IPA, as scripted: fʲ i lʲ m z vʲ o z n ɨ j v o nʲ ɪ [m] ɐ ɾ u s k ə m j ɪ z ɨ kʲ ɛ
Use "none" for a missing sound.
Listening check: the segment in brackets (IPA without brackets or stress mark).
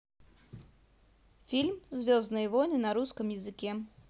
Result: n